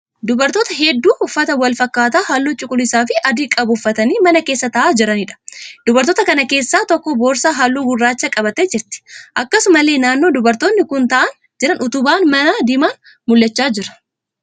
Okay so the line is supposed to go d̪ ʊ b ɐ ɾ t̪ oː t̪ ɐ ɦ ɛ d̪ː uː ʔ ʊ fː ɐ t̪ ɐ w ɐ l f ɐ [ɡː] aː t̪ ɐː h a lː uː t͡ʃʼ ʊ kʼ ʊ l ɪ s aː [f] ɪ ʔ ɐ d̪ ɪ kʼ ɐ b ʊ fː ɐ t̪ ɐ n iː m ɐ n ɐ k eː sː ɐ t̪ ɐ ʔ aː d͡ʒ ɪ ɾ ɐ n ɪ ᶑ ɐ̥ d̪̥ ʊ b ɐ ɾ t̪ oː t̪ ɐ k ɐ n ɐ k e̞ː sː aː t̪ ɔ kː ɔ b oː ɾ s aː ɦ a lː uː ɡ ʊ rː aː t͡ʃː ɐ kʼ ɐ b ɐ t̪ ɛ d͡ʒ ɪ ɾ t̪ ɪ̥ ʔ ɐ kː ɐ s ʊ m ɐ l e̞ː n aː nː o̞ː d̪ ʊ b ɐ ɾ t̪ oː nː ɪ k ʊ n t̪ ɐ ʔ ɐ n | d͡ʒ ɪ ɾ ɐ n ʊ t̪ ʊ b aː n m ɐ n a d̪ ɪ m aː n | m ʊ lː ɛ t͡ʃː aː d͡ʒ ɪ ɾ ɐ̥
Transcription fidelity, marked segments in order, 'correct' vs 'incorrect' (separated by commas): incorrect, correct